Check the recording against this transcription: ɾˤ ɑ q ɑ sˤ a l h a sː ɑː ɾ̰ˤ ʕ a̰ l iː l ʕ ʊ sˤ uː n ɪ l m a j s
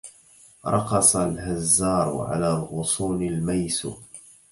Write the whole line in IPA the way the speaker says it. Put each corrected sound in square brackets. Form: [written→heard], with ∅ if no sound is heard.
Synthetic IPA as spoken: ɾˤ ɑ q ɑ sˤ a l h a [sː→zː] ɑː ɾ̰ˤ ʕ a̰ l [iː→aː] l [ʕ→ɣ] ʊ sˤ uː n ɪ l m a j s